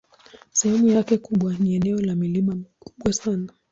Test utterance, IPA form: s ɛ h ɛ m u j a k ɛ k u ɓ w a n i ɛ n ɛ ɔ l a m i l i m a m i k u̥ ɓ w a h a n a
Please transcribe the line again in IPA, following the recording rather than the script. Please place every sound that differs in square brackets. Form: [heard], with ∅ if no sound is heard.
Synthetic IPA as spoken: s ɛ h ɛ m u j a k ɛ k u ɓ w a n i ɛ n ɛ ɔ l a m i l i m a m i k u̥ ɓ w a [s] a n a